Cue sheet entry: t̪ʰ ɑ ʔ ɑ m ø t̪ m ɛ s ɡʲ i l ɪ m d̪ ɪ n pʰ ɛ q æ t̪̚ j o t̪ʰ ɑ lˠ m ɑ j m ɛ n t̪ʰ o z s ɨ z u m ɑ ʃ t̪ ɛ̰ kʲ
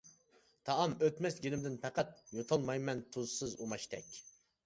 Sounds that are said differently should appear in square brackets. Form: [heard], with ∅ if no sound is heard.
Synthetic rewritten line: t̪ʰ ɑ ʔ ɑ m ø t̪ m ɛ s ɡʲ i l ɪ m d̪ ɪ n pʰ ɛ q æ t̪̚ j o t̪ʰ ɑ lˠ m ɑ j m ɛ n t̪ʰ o z s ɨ z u m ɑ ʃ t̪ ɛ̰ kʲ